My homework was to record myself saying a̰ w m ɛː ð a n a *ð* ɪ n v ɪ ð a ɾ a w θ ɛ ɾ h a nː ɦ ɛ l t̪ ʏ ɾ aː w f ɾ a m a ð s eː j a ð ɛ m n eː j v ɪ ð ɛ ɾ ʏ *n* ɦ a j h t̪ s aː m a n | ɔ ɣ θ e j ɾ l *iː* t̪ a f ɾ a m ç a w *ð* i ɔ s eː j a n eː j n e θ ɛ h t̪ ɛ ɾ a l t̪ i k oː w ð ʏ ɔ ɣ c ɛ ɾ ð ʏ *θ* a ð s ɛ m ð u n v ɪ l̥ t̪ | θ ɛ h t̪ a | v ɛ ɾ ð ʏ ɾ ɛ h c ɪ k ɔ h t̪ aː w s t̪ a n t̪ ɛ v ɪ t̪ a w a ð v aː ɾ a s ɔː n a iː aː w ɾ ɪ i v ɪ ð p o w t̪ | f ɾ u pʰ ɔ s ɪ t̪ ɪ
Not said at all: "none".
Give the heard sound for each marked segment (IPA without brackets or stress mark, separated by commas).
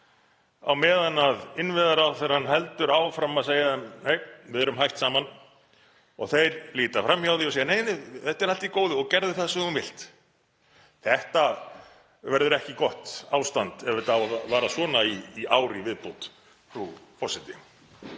ð, m, iː, ð, θ